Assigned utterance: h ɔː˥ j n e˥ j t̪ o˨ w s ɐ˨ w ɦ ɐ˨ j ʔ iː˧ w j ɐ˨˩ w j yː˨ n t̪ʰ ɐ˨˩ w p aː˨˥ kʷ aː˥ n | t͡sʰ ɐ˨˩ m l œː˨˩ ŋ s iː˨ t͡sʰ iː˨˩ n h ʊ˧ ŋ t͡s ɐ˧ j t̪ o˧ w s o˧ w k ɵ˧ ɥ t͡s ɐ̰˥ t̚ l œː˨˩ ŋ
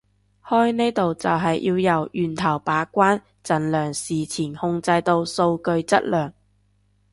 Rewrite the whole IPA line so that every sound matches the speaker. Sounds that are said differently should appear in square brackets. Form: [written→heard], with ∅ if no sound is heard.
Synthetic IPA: h ɔː˥ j n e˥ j t̪ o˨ w [s→t͡s] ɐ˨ w ɦ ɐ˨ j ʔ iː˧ w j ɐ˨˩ w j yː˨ n t̪ʰ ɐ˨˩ w p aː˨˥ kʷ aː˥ n | [t͡sʰ→t͡s] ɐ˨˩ [m→n] l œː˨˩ ŋ s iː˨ t͡sʰ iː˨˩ n h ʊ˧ ŋ t͡s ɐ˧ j t̪ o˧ w s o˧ w k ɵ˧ ɥ t͡s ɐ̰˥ t̚ l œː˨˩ ŋ